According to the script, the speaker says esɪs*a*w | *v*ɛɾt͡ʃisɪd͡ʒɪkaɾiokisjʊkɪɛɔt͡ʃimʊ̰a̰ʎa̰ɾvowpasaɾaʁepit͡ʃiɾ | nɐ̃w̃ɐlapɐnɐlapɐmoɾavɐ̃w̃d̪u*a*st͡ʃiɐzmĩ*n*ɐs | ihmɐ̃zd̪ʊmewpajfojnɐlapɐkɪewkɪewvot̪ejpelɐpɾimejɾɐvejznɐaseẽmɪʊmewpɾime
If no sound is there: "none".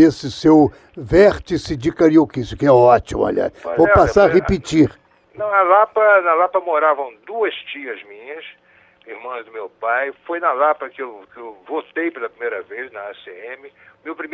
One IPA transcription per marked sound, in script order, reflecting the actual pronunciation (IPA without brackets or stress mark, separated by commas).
e, v, ɐ, ɲ